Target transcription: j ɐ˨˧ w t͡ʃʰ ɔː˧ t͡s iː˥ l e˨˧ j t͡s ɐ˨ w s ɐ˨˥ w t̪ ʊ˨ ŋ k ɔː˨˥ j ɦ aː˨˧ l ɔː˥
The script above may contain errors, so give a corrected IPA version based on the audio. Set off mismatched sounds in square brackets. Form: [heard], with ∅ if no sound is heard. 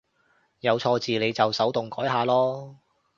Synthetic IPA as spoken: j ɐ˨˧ w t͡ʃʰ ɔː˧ t͡s [iː˨] l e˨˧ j t͡s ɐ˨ w s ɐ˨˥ w t̪ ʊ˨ ŋ k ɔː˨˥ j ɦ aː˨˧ l ɔː˥